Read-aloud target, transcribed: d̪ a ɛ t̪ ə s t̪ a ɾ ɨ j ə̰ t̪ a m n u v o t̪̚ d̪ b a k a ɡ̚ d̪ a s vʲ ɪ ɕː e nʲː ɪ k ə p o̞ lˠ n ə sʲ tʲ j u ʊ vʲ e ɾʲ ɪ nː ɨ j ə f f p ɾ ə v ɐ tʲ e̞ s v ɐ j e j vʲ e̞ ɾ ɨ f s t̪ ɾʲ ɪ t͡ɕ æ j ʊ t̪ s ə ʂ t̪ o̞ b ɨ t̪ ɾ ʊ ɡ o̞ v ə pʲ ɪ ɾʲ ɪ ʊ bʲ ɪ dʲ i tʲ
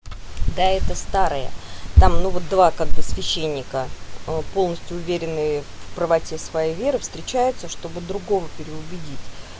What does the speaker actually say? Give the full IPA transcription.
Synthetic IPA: d̪ a ɛ t̪ ə s t̪ a ɾ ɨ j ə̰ t̪ a m n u v o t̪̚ d̪ v a k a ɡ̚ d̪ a s vʲ ɪ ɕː e nʲː ɪ k ə p o̞ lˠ n ə sʲ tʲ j ʊ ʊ vʲ e ɾʲ ɪ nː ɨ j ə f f p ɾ ə v ɐ tʲ e̞ s v ɐ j e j vʲ e̞ ɾ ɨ f s t̪ ɾʲ ɪ t͡ɕ æ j ʊ t̪ s ə ʂ t̪ o̞ b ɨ d̪ ɾ ʊ ɡ o̞ v ə pʲ ɪ ɾʲ ɪ ʊ bʲ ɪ dʲ i tʲ

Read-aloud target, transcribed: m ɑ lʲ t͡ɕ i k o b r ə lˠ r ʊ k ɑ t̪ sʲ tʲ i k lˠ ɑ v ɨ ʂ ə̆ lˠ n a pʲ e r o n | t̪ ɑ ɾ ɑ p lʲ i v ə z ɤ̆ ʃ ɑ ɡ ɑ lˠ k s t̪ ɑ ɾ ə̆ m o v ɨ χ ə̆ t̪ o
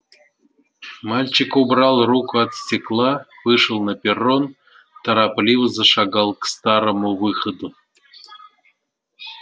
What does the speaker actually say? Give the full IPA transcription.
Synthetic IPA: m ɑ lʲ t͡ɕ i k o b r ɑ lˠ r u k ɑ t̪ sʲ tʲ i k lˠ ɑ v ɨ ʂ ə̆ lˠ n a pʲ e r o n | t̪ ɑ ɾ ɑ p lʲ i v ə z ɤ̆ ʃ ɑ ɡ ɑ lˠ k s t̪ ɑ ɾ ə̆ m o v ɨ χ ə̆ d̪ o

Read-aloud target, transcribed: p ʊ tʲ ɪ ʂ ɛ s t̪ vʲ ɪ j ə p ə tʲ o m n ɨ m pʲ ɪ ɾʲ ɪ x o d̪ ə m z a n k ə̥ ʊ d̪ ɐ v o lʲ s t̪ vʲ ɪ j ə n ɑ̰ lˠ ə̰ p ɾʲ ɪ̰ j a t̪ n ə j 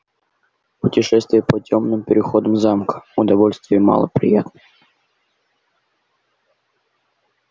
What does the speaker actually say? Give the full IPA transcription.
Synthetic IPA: p ʊ tʲ ɪ ʂ ɛ s t̪ vʲ ɪ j ə p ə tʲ o m n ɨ m pʲ ɪ ɾʲ ɪ x o d̪ ə m z a m k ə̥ ʊ d̪ ɐ v o lʲ s t̪ vʲ ɪ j ə m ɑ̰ lˠ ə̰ p ɾʲ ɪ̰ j a t̪ n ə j

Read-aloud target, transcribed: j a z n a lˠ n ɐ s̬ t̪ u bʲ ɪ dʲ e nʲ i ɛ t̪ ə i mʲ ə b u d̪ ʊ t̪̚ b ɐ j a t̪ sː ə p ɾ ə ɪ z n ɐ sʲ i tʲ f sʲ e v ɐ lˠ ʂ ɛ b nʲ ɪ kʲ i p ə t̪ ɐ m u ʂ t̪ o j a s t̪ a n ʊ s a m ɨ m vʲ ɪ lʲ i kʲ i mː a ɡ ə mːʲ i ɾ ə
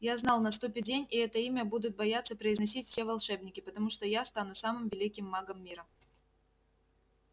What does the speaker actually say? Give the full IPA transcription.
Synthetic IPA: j a z n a lˠ n ɐ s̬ t̪ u pʲ ɪ dʲ e nʲ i ɛ t̪ ə i mʲ ə b u d̪ ʊ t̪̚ b ɐ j a t̪ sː ə p ɾ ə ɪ z n ɐ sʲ i tʲ f sʲ e v ɐ lˠ ʂ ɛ b nʲ ɪ kʲ ɪ p ə t̪ ɐ m u ʂ t̪ o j a s t̪ a n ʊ s a m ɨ m vʲ ɪ lʲ i kʲ ɪ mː a ɡ ə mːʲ i ɾ ə

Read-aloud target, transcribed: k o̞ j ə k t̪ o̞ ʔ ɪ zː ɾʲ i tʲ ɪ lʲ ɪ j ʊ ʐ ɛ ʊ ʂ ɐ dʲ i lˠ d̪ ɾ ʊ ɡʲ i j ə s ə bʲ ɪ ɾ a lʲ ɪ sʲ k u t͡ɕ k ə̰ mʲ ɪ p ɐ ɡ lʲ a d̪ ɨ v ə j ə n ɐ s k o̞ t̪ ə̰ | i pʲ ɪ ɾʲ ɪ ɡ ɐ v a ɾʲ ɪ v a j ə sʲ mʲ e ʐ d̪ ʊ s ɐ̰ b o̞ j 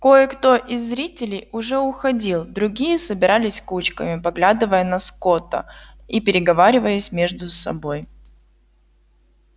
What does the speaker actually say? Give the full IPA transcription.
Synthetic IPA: k o̞ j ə k t̪ o̞ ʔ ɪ zː ɾʲ i tʲ ɪ lʲ ɪ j ʊ ʐ ɛ ʊ x ɐ dʲ i lˠ d̪ ɾ ʊ ɡʲ i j ə s ə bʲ ɪ ɾ a lʲ ɪ sʲ k u t͡ɕ k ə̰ mʲ ɪ p ɐ ɡ lʲ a d̪ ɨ v ə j ə n ɐ s k o̞ t̪ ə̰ | i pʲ ɪ ɾʲ ɪ ɡ ɐ v a ɾʲ ɪ v ə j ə sʲ mʲ e ʐ d̪ ʊ s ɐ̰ b o̞ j

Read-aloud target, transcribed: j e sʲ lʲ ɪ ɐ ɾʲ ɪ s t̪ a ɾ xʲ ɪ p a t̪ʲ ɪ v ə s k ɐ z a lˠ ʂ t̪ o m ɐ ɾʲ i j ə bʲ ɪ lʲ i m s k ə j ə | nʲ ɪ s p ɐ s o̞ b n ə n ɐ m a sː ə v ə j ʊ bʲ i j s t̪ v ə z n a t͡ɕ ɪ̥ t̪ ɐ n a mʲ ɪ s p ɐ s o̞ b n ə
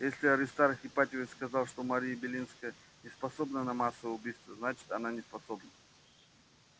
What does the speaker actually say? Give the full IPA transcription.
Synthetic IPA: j e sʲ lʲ ɪ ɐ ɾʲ ɪ s t̪ a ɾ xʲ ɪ p a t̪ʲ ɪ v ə s k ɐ z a lˠ ʂ t̪ o m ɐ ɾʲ i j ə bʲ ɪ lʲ i n s k ə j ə | nʲ ɪ s p ɐ s o̞ b n ə n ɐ m a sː ə v ə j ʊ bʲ i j s t̪ v ə z n a t͡ɕ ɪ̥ t̪ ɐ n a nʲ ɪ s p ɐ s o̞ b n ə

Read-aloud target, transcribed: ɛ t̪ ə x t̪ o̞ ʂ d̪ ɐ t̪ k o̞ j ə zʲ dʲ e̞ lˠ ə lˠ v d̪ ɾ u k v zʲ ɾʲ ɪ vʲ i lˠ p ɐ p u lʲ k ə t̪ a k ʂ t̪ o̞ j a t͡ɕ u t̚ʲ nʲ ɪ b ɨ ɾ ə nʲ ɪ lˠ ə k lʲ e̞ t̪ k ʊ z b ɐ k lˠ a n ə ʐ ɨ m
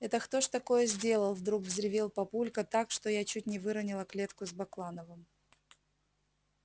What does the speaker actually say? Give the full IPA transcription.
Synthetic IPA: ɛ t̪ ə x t̪ o̞ ʂ t̪ ɐ k o̞ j ə zʲ dʲ e̞ lˠ ə lˠ v d̪ ɾ u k v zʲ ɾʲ ɪ vʲ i lˠ p ɐ p u lʲ k ə t̪ a k ʂ t̪ o̞ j a t͡ɕ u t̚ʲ nʲ ɪ v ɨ ɾ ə nʲ ɪ lˠ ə k lʲ e̞ t̪ k ʊ z b ɐ k lˠ a n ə v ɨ m

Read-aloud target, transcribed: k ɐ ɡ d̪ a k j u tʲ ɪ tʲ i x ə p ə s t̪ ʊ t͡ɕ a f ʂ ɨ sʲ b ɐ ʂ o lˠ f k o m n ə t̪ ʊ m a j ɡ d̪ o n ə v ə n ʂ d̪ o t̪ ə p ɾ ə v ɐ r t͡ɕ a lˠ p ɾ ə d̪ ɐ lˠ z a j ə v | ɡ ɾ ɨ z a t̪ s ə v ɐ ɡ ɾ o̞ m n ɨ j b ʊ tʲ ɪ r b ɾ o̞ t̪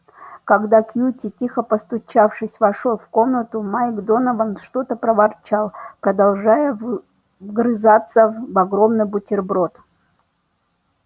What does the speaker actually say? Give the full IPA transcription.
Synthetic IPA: k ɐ ɡ d̪ a k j u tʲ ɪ tʲ i x ə p ə s t̪ ʊ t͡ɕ a f ʂ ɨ sʲ v ɐ ʂ o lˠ f k o m n ə t̪ ʊ m a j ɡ d̪ o n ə v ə n ʂ t̪ o t̪ ə p ɾ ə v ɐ r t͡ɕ a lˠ p ɾ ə d̪ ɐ lˠ ʐ a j ə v | ɡ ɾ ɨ z a t̪ s ə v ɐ ɡ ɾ o̞ m n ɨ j b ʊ tʲ ɪ r b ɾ o̞ t̪

